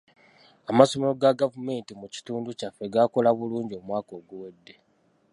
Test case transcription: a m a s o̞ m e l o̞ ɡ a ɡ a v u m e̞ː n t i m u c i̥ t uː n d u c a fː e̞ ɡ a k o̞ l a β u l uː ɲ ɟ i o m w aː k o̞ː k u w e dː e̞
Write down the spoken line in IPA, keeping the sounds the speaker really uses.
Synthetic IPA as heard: a m a s o̞ m e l o̞ ɡ a ɡ a v u m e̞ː n t i m u c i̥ t uː n d u c a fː e̞ ɡ a k o̞ l a β u l uː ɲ ɟ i o m w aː k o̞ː ɡ u w e dː e̞